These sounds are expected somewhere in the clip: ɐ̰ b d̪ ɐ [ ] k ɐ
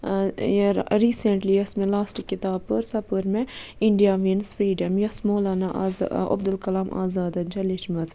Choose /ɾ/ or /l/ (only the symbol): l